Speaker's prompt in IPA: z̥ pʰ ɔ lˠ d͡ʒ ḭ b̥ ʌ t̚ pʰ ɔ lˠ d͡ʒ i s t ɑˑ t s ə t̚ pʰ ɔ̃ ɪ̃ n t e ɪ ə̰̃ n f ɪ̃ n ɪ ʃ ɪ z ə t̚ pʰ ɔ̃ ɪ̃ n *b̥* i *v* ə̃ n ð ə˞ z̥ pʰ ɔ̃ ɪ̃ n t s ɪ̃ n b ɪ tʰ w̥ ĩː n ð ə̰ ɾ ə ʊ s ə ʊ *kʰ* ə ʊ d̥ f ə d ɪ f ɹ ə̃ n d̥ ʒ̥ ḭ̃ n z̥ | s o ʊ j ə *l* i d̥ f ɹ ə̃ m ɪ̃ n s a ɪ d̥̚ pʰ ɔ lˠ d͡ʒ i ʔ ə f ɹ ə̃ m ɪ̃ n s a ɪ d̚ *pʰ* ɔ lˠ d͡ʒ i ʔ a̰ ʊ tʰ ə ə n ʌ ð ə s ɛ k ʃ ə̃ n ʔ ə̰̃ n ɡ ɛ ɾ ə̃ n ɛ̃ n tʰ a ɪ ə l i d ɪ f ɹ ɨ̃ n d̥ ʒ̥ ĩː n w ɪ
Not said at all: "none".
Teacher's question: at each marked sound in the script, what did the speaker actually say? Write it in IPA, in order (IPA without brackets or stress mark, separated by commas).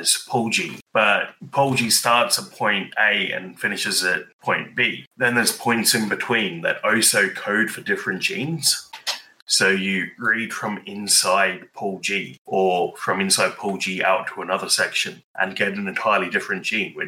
b̥, ð, kʰ, ɹ, pʰ